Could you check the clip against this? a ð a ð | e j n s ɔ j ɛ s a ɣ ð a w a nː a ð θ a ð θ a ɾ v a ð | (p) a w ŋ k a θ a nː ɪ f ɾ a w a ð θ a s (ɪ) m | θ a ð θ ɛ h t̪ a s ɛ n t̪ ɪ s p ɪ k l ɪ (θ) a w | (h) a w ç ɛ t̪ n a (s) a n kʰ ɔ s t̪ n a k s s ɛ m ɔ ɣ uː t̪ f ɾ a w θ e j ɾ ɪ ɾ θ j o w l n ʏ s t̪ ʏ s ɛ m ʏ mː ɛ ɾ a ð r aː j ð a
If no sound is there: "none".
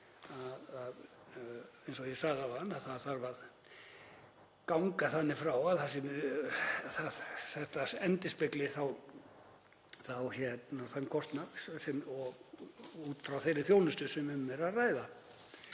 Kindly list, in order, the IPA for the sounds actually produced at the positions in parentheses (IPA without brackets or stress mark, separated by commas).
k, ɪ, θ, θ, θ